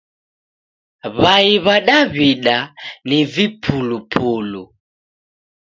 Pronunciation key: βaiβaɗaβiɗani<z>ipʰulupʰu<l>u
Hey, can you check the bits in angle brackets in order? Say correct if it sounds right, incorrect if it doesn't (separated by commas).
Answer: incorrect, correct